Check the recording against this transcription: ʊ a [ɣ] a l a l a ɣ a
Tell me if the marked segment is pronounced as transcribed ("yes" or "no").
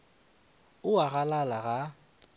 yes